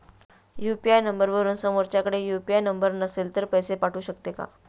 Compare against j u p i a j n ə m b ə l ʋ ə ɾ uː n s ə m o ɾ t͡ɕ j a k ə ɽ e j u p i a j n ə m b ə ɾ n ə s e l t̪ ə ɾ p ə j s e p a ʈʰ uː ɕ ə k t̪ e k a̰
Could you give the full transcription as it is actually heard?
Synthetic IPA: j u p i a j n ə m b ə ɾ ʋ ə ɾ uː n s ə m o ɾ t͡ɕ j a k ə ɽ e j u p i a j n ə m b ə ɾ n ə s e l t̪ ə ɾ p ə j s e p a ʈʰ uː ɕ ə k t̪ e k a̰